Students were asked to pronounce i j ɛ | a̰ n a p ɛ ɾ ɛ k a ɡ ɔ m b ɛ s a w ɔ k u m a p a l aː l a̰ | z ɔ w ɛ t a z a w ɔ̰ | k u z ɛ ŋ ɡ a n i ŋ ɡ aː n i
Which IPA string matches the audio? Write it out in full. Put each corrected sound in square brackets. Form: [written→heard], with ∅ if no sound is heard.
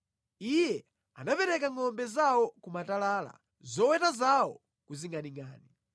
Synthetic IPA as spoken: i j ɛ | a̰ n a p ɛ ɾ ɛ k a [ɡ→ŋ] ɔ m b ɛ [s→z] a w ɔ k u m a [p→t] a l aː l a̰ | z ɔ w ɛ t a z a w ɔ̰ | k u z [ɛ→i] ŋ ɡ a n i ŋ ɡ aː n i